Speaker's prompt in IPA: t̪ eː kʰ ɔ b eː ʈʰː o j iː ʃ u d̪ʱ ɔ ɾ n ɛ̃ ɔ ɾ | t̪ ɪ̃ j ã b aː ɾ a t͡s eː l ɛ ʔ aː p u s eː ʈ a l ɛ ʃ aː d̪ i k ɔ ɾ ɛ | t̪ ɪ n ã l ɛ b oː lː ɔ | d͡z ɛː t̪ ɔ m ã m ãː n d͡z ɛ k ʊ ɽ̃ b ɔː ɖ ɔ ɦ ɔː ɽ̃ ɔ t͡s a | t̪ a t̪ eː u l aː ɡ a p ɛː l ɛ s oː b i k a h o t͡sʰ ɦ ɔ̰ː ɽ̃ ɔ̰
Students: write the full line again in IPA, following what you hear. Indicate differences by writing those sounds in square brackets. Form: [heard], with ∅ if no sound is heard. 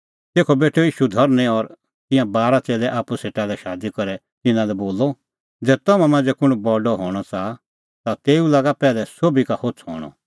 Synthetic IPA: t̪ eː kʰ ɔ b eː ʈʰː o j iː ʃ u d̪ʱ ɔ ɾ n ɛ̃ ɔ ɾ | t̪ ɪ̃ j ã b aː ɾ a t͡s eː l ɛ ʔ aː p u s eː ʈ a l ɛ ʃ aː d̪ i k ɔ ɾ ɛ | t̪ ɪ n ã l ɛ b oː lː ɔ | d͡z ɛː t̪ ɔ m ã m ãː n d͡z ɛ k ʊ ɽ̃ b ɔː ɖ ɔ ɦ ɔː ɽ̃ ɔ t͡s a | t̪ a t̪ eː u l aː ɡ a p ɛː l ɛ s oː b i k a h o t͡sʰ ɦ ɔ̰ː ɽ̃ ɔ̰